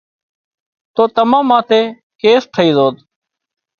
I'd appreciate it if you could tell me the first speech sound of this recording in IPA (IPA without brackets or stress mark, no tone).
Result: t̪